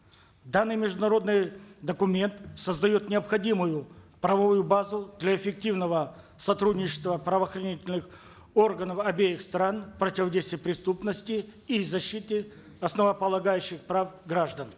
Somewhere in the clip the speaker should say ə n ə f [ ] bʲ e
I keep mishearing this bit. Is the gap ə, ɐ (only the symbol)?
ɐ